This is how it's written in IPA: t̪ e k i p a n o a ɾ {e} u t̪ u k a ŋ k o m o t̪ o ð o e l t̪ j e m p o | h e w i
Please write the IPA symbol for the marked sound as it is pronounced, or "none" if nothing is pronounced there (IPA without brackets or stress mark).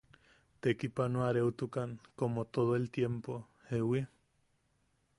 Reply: e